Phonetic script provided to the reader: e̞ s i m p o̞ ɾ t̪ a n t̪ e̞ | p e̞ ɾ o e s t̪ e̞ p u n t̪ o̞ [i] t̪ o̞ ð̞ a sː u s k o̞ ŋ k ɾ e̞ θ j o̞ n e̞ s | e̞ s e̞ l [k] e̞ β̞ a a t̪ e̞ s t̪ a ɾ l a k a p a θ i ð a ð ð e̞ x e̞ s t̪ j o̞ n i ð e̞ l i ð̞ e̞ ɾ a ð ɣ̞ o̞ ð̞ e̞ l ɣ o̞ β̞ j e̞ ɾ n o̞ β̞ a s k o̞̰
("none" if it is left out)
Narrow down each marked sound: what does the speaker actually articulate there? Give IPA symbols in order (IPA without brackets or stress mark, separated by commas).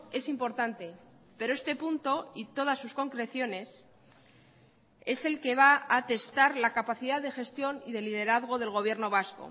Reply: i, k